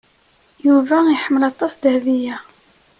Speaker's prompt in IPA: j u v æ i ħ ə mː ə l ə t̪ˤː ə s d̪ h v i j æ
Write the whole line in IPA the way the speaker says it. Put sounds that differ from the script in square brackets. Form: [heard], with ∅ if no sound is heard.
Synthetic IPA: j u v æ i ħ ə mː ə l [ɑ] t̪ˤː [ɑ] s d̪ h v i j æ